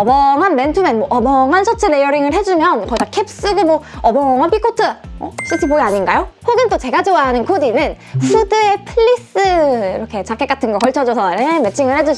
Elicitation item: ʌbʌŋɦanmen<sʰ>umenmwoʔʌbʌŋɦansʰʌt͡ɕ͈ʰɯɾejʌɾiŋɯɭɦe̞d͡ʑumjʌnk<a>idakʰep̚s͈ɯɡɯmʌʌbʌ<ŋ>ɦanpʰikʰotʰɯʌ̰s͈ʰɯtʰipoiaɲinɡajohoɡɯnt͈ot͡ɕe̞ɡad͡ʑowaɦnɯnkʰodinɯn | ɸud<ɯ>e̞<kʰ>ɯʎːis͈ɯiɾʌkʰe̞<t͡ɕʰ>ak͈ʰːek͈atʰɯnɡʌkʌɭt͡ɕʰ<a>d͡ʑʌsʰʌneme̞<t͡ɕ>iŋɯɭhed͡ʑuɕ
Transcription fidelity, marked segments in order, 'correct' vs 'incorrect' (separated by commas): incorrect, incorrect, correct, correct, incorrect, incorrect, incorrect, incorrect